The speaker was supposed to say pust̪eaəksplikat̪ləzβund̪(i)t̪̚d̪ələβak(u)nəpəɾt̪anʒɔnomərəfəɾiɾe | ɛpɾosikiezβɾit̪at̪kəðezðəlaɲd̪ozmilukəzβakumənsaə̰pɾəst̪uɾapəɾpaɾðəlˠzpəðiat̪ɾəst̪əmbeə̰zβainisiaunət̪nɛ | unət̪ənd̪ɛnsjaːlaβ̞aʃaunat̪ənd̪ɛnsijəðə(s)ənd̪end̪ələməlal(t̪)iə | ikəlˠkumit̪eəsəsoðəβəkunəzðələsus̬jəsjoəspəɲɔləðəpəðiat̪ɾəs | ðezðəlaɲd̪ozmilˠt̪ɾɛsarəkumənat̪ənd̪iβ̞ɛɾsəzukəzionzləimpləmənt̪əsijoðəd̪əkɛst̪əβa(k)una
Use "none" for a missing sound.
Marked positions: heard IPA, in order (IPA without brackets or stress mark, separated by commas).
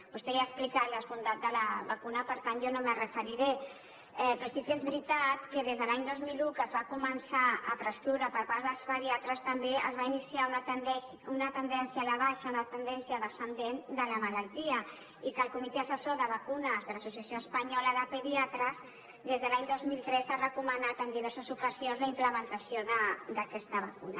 a, u, s, t̪, k